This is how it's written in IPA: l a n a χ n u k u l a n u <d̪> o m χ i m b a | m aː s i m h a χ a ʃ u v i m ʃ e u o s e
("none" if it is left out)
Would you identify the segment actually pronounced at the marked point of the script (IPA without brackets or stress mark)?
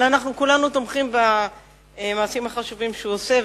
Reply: t̪